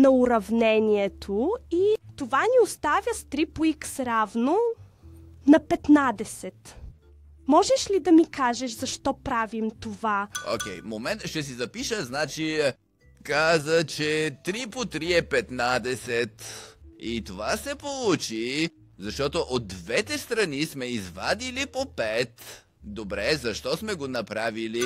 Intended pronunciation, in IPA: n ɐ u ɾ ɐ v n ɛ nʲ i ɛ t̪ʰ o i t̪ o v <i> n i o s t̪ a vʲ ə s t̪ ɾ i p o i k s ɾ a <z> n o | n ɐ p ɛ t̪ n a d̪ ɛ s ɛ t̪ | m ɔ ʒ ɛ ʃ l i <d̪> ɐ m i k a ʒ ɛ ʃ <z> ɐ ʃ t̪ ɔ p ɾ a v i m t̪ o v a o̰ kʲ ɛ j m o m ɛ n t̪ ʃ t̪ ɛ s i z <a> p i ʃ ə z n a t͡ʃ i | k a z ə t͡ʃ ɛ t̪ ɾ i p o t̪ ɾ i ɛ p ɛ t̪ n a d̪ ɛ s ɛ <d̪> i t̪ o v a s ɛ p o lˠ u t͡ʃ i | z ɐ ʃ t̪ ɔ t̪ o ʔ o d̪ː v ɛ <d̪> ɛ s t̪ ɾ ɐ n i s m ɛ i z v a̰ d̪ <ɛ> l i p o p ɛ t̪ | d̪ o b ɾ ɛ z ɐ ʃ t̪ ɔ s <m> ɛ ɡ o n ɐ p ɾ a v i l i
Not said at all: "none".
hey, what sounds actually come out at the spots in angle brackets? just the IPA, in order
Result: a, v, d̪, z, ɐ, t̪, t̪, i, m

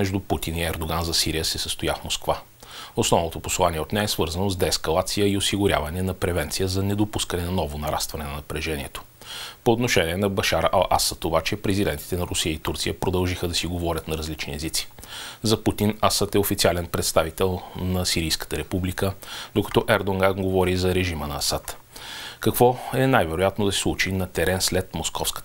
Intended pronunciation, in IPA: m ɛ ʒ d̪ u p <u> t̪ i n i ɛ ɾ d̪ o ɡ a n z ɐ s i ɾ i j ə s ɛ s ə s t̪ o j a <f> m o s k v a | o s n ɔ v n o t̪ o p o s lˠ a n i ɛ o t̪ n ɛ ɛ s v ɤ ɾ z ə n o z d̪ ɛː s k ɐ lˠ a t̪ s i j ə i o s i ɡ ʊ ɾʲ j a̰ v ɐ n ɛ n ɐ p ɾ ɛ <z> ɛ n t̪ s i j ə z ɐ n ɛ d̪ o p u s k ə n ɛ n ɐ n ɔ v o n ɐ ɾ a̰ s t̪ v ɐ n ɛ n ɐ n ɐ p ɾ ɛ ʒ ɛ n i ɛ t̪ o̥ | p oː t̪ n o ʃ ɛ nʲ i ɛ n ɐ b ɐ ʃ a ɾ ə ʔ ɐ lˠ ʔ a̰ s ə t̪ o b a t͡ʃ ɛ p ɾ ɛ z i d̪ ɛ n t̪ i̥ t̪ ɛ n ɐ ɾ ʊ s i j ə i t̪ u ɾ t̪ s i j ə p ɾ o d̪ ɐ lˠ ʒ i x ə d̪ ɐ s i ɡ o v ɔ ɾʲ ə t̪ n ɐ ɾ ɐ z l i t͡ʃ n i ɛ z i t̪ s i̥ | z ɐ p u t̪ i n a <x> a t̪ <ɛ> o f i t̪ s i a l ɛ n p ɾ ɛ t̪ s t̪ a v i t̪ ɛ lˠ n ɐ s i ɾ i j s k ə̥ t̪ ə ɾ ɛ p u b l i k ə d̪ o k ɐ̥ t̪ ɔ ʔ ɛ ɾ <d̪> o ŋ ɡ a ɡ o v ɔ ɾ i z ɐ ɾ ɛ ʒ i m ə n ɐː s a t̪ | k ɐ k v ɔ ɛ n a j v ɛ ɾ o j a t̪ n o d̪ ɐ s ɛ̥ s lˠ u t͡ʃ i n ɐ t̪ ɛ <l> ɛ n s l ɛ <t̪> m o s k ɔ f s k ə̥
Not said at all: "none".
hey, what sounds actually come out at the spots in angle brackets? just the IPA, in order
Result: u, f, v, s, ɛ, d̪, ɾ, t̪

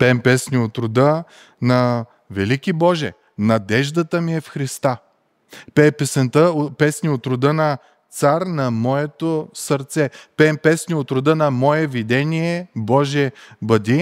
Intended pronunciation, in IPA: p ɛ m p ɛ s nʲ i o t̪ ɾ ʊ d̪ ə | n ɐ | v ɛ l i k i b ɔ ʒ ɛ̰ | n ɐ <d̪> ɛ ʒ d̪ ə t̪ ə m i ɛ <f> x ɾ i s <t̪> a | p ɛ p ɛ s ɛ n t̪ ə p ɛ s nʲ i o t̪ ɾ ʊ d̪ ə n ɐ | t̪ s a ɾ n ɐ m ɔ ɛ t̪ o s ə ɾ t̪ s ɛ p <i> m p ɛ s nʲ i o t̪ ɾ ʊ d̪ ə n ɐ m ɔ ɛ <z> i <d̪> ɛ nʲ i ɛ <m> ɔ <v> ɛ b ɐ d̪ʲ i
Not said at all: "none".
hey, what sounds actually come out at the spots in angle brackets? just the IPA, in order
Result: d̪, f, t̪, ɛ, v, d̪, b, ʒ

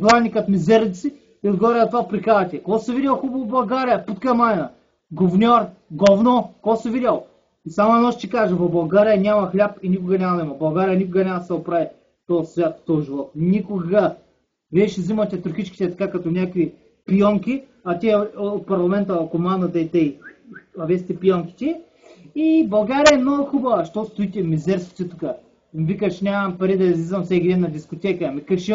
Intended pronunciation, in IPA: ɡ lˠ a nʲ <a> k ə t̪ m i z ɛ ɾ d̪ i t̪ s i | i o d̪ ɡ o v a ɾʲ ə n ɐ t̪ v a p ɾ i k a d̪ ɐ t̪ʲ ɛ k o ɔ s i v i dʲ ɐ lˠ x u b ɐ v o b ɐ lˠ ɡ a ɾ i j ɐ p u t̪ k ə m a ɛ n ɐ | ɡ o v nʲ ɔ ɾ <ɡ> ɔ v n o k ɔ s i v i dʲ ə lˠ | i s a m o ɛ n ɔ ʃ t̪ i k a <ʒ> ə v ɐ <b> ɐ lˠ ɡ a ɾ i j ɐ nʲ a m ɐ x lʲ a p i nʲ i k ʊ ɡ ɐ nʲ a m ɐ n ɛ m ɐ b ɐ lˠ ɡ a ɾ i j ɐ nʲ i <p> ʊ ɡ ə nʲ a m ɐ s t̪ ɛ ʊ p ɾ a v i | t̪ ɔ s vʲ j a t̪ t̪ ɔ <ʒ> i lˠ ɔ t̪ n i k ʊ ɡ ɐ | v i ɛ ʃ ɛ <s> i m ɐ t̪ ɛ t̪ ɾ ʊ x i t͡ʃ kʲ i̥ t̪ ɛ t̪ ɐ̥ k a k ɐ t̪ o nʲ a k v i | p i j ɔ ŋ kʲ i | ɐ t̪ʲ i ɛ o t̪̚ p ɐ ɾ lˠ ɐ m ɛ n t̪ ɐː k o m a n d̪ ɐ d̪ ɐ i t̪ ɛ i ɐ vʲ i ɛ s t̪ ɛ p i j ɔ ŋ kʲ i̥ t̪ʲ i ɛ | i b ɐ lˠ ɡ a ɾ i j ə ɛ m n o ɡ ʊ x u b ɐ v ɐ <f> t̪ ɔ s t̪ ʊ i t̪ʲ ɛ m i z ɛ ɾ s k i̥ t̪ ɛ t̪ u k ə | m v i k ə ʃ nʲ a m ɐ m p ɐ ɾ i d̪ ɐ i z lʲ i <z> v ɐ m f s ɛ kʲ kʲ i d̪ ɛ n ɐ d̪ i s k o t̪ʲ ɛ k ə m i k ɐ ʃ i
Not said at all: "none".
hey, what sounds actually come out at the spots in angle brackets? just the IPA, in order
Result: i, ɡ, ʒ, b, k, ʒ, z, ʃ, z

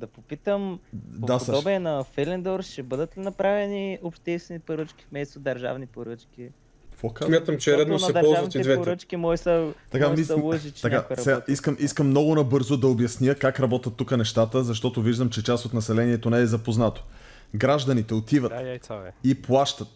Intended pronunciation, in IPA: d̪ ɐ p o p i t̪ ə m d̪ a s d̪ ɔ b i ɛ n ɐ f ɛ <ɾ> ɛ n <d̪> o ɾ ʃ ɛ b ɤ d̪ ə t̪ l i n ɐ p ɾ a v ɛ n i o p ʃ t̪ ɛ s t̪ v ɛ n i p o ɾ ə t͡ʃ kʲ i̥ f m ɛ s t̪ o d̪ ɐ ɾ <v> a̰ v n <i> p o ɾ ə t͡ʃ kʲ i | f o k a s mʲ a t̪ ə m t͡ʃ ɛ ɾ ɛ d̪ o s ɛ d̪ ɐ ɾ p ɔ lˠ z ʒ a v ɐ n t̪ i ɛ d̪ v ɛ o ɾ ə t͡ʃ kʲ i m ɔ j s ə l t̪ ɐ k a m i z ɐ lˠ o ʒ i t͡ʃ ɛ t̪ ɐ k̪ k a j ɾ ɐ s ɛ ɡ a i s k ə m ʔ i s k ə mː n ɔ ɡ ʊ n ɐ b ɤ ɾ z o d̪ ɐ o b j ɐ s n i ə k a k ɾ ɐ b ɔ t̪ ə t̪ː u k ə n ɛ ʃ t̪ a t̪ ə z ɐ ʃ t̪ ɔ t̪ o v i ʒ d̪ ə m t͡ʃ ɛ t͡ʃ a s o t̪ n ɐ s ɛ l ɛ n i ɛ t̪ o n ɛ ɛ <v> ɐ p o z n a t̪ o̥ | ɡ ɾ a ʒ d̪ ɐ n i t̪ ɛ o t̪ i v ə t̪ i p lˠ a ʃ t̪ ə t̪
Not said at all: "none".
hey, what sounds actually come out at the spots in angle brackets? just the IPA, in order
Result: l, d̪, ʒ, i, z

